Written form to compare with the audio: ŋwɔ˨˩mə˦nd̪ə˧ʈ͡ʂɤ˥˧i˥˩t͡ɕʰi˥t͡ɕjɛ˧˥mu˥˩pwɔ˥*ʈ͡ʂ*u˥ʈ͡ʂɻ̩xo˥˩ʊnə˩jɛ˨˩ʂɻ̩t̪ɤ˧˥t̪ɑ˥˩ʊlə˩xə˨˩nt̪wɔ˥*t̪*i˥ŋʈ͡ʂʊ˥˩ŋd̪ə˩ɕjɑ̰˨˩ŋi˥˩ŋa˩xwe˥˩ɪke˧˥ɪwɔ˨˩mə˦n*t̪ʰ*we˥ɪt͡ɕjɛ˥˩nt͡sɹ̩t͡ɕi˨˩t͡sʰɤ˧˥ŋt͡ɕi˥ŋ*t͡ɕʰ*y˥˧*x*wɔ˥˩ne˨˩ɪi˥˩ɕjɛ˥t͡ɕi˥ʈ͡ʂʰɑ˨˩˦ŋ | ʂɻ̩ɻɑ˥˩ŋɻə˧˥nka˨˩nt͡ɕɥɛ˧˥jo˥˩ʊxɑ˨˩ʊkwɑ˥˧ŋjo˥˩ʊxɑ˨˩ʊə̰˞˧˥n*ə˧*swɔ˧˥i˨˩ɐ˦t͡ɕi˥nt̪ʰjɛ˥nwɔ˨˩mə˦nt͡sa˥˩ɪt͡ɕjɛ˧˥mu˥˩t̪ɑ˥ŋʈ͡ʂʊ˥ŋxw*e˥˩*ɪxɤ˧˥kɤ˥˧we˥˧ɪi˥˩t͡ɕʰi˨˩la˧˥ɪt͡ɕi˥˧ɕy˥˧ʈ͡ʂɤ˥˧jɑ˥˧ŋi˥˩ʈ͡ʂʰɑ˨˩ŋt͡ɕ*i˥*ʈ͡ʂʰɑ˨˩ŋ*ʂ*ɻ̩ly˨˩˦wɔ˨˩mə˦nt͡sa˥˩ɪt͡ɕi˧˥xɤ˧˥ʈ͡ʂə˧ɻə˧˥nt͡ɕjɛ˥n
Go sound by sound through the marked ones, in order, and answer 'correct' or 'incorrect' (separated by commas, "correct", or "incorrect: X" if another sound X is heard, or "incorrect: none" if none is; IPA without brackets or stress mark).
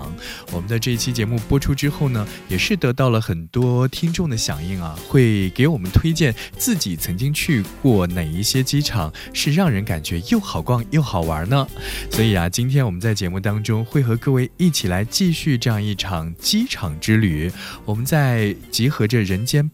incorrect: ʈ͡ʂʰ, incorrect: t̪ʰ, correct, correct, incorrect: k, correct, correct, correct, incorrect: ʈ͡ʂ